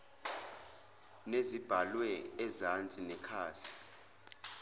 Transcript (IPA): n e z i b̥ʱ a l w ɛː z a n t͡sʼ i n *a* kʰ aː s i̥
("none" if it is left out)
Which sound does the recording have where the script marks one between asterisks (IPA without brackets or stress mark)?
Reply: ɛ